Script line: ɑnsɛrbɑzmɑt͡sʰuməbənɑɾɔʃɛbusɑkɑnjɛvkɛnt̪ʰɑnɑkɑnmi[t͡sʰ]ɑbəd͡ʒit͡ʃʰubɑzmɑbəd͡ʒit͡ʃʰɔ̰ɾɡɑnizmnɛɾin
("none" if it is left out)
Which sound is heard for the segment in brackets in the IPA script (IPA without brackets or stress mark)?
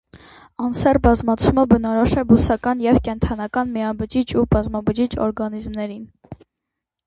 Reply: none